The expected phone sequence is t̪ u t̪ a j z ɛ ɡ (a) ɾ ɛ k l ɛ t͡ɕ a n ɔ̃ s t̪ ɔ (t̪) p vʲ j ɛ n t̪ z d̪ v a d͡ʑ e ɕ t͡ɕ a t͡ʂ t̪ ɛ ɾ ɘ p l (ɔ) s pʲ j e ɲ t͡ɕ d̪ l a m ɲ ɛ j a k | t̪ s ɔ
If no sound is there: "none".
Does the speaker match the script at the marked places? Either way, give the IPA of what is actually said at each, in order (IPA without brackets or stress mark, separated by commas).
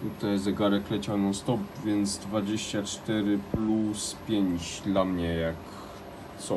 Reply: a, none, u